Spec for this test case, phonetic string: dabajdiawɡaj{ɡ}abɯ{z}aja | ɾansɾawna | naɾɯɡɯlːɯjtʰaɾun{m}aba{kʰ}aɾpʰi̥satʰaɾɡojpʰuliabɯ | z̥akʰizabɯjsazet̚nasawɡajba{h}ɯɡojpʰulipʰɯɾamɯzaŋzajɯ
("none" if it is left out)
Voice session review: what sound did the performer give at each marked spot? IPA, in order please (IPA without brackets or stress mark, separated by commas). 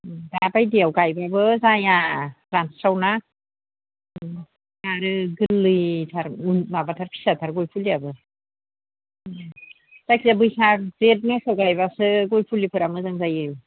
b, z, m, tʰ, s